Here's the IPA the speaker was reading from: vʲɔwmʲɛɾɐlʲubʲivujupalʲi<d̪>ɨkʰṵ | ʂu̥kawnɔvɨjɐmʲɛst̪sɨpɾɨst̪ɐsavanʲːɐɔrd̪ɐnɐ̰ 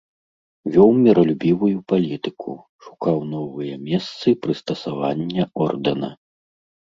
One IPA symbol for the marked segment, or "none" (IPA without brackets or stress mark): t̪